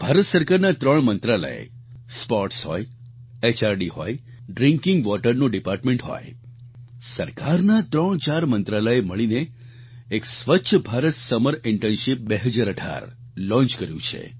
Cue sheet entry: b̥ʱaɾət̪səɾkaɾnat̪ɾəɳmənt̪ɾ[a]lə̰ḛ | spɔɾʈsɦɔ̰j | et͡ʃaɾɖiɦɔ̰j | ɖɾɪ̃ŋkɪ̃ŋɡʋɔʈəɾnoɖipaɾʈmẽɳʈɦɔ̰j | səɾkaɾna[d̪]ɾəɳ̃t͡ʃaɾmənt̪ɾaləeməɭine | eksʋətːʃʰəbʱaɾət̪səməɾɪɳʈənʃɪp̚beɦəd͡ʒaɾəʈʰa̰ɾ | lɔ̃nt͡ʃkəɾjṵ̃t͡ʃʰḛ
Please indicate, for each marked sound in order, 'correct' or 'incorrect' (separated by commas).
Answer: correct, incorrect